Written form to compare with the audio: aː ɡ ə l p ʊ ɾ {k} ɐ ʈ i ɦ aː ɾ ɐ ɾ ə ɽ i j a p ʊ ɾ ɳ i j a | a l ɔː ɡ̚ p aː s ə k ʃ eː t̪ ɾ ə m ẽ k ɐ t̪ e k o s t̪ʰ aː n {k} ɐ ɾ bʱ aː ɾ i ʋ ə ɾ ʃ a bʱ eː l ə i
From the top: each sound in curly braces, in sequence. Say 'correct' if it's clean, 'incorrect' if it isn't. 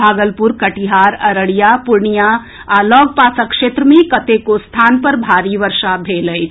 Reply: correct, incorrect: p

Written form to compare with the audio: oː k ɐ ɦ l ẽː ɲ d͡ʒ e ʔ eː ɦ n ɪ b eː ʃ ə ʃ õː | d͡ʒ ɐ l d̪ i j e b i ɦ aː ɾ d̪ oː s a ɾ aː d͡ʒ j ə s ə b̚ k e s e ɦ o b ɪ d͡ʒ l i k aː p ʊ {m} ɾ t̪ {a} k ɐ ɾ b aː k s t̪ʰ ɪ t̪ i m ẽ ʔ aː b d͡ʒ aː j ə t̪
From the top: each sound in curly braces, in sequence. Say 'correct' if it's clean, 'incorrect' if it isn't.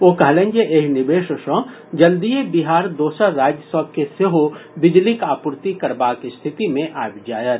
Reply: incorrect: none, incorrect: i

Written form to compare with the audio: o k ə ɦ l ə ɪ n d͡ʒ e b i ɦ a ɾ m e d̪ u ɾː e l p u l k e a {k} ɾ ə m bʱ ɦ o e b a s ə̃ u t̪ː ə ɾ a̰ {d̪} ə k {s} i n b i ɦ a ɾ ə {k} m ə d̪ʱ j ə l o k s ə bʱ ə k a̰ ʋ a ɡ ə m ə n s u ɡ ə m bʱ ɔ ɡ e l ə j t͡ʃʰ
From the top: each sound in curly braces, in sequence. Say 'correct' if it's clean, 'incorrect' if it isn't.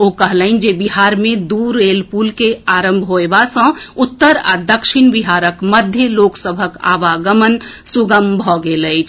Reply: incorrect: none, correct, incorrect: ʃ, correct

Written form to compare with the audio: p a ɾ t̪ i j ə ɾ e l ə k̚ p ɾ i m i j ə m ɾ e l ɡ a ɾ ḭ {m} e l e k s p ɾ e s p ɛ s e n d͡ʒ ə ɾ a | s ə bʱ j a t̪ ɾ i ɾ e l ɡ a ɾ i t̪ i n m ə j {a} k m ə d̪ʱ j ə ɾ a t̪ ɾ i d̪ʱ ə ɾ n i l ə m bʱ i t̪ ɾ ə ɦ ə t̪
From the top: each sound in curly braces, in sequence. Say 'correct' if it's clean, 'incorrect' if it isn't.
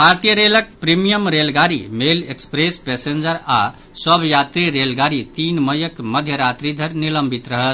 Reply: correct, incorrect: ə

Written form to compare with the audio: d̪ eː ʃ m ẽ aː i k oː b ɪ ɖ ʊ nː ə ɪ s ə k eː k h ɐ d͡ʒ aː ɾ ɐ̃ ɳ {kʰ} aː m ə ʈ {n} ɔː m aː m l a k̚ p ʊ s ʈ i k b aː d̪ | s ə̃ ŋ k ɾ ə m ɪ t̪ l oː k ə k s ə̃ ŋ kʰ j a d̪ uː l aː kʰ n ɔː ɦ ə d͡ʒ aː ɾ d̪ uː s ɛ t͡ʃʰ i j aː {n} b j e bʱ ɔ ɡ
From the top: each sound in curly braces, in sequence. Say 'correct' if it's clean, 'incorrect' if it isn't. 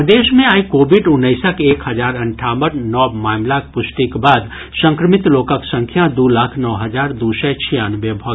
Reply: incorrect: ʈʰ, correct, correct

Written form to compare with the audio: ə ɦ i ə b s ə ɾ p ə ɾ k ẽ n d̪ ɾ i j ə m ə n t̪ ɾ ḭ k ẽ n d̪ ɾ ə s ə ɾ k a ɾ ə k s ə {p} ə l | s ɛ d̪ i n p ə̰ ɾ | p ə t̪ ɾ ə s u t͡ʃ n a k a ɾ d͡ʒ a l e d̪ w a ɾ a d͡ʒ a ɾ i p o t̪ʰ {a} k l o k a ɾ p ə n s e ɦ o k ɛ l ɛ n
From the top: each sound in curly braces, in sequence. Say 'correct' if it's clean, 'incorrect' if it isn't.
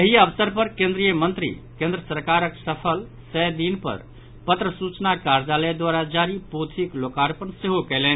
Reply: incorrect: pʰ, incorrect: i

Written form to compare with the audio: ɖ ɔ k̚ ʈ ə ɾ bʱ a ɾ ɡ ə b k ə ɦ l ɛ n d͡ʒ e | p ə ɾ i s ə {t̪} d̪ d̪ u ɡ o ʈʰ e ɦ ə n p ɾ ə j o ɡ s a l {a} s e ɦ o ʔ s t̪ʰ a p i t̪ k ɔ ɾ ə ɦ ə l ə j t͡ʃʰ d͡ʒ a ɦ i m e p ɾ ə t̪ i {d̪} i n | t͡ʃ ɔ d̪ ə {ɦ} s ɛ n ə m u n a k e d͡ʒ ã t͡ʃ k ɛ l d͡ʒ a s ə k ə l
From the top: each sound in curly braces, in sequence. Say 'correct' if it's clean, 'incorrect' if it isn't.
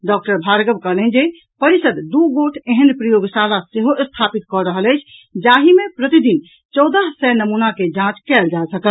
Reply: incorrect: none, correct, correct, correct

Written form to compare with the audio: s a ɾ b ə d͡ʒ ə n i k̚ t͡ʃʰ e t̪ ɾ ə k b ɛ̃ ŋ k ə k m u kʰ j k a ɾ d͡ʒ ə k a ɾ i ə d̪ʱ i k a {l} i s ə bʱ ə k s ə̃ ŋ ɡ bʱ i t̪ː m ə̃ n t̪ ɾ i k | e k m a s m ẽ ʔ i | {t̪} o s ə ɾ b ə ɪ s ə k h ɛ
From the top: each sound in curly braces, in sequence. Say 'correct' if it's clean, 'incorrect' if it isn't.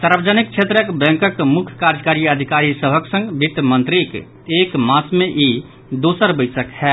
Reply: incorrect: ɾ, incorrect: d̪

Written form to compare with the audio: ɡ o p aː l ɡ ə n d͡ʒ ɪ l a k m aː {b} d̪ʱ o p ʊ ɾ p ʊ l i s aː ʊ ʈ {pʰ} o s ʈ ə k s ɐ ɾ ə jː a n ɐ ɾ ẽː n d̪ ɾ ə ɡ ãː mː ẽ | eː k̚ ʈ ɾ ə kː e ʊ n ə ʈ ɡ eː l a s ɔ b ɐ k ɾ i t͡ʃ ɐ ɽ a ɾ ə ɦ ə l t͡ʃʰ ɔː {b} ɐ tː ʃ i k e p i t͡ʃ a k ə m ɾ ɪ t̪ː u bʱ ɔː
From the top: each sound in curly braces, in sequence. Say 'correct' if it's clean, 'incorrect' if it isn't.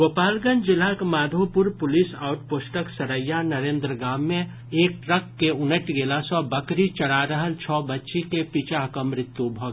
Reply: incorrect: none, incorrect: p, correct

